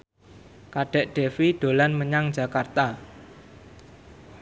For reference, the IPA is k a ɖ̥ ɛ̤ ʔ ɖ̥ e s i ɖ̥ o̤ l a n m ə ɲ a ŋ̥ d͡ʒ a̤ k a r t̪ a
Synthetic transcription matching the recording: k a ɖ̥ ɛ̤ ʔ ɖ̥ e f i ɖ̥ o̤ l a n m ə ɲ a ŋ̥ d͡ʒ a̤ k a r t̪ a